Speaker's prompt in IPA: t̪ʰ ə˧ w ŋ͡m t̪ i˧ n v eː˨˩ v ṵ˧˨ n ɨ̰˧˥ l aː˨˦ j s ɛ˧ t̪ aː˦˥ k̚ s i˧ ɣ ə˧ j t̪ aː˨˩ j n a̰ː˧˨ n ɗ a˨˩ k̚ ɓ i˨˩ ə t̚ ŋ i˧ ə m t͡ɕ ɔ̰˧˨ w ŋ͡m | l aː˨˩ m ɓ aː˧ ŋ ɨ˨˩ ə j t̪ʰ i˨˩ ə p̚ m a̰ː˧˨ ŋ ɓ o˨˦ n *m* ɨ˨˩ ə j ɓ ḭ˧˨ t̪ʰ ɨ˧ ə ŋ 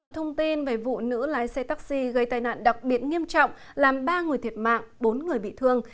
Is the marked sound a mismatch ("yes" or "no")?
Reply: yes